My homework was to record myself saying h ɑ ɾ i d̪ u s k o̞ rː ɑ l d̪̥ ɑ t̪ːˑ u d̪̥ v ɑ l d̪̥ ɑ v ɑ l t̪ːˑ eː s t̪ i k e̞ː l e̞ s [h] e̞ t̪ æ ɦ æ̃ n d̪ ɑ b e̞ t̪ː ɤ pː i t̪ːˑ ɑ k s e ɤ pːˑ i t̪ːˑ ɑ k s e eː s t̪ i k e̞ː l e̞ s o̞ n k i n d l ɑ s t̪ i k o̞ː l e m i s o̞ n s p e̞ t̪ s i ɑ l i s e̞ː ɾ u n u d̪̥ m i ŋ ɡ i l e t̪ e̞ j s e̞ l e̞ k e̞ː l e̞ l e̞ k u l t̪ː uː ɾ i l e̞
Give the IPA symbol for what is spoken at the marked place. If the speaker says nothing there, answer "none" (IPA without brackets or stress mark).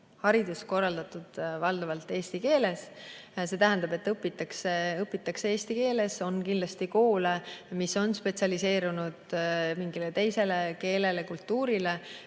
s